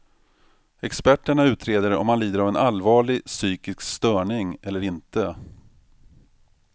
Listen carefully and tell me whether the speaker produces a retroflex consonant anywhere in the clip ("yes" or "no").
yes